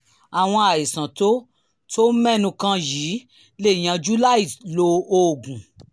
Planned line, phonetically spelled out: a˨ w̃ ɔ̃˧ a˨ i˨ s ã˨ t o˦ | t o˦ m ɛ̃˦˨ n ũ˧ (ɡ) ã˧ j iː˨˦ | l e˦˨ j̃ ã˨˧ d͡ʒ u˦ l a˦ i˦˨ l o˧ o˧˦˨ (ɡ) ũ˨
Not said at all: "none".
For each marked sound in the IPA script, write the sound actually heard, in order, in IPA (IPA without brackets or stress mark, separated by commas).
k, ɡ